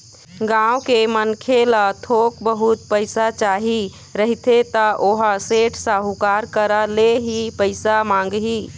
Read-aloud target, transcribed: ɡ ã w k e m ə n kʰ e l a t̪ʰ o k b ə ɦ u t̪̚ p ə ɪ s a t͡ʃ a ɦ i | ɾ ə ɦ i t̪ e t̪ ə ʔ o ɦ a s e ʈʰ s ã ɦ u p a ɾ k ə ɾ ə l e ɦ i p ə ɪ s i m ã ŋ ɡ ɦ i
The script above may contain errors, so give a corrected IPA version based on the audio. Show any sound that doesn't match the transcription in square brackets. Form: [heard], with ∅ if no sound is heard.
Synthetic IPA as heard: ɡ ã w k e m ə n kʰ e l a t̪ʰ o k b ə ɦ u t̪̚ p ə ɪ s a t͡ʃ a ɦ i | ɾ ə ɦ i t̪ e t̪ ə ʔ o ɦ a s e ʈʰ s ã ɦ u [k] a ɾ k ə ɾ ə l e ɦ i p ə ɪ s [a] m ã ŋ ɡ ɦ i